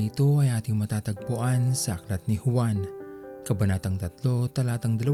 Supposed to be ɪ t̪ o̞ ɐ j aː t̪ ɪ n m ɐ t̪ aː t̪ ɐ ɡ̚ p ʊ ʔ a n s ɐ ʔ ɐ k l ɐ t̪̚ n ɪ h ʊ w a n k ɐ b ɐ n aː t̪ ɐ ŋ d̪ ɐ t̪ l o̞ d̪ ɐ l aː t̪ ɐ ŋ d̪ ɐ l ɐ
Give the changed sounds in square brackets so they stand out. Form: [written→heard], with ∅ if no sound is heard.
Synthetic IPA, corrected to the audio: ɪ t̪ o̞ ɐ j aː t̪ ɪ [n→ŋ] m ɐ t̪ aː t̪ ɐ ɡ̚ p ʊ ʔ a n s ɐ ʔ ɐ k l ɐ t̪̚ n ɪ h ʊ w a n k ɐ b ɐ n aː t̪ ɐ ŋ [d̪→t̪] ɐ t̪ l o̞ [d̪→t̪] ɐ l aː t̪ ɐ ŋ d̪ ɐ l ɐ